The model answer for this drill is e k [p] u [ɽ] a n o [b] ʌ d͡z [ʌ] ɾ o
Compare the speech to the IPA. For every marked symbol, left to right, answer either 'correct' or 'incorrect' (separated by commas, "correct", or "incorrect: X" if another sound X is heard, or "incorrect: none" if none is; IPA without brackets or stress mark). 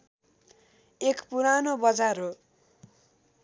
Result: correct, incorrect: ɾ, correct, incorrect: a